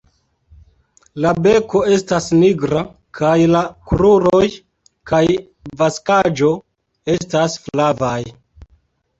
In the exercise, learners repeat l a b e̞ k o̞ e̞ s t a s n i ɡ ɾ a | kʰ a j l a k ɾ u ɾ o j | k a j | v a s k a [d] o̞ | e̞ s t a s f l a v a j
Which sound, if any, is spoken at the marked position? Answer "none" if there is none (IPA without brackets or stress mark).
d͡ʒ